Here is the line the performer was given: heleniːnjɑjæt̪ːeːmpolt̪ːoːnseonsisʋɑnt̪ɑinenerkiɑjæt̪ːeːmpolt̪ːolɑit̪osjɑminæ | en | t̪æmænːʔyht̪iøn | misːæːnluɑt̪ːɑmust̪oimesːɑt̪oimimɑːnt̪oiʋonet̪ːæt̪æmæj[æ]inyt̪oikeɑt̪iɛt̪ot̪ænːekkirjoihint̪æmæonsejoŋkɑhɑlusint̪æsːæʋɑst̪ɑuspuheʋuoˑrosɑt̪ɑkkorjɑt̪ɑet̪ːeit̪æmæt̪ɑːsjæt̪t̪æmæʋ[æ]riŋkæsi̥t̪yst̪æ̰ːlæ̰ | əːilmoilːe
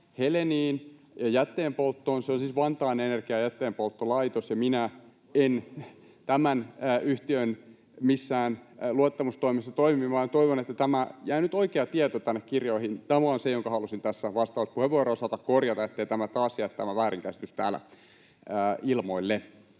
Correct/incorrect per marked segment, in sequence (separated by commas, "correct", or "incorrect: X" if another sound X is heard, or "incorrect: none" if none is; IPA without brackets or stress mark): correct, incorrect: æː